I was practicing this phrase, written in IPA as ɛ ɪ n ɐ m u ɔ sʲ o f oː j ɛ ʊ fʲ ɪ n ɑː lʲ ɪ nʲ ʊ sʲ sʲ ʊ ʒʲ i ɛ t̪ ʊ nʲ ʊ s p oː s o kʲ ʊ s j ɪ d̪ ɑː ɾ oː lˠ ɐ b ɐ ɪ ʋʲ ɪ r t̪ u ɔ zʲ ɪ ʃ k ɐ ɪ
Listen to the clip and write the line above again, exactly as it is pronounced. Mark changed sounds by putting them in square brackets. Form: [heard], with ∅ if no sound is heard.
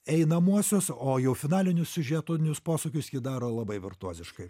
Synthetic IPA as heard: ɛ ɪ n ɐ m u ɔ sʲ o [s] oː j ɛ ʊ fʲ ɪ n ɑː lʲ ɪ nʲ ʊ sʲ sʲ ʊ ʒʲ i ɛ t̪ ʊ nʲ ʊ s p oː s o kʲ ʊ s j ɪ d̪ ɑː ɾ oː lˠ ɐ b ɐ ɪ ʋʲ ɪ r t̪ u ɔ zʲ ɪ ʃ k ɐ ɪ